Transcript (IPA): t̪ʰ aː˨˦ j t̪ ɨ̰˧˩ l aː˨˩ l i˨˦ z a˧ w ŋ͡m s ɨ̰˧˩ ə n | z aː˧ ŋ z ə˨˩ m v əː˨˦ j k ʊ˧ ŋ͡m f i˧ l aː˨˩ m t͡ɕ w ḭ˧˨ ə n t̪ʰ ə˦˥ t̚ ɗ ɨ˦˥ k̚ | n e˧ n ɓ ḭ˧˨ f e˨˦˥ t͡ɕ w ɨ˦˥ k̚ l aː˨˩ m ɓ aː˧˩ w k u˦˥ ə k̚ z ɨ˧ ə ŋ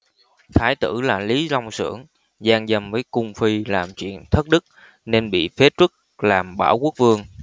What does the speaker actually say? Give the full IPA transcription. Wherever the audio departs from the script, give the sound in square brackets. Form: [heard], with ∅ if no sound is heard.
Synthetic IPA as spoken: t̪ʰ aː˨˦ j t̪ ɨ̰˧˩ l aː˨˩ l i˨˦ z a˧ w ŋ͡m s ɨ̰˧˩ ə [ŋ] | z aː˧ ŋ z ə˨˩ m v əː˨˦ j k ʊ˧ ŋ͡m f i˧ l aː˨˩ m t͡ɕ w ḭ˧˨ ə n t̪ʰ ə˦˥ t̚ ɗ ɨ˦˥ k̚ | n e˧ n ɓ ḭ˧˨ f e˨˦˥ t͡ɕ w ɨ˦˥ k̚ l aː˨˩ m ɓ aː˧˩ w k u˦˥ ə k̚ [v] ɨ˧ ə ŋ